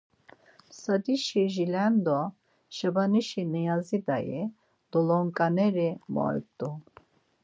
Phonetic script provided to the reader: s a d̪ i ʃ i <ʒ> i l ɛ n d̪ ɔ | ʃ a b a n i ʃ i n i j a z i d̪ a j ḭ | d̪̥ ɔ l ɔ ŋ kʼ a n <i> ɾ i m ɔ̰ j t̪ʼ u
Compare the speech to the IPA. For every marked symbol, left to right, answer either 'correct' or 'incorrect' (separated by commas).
correct, incorrect